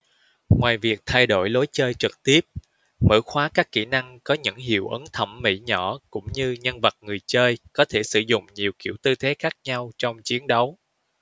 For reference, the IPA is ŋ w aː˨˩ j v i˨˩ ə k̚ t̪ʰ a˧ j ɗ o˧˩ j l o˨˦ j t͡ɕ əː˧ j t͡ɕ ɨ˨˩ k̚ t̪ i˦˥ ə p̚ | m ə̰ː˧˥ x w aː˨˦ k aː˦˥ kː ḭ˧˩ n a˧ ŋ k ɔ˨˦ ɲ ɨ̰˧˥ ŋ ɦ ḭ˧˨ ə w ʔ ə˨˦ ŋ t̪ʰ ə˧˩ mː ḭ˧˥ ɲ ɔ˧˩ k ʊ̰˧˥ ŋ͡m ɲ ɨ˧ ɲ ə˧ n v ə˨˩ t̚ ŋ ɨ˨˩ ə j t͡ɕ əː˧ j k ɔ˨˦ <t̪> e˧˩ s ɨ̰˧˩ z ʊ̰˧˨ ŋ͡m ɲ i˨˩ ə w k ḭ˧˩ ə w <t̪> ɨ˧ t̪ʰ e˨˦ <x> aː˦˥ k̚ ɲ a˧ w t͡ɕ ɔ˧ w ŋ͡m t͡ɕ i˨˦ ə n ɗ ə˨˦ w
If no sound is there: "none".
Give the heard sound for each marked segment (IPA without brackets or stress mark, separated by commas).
t̪ʰ, t̪, x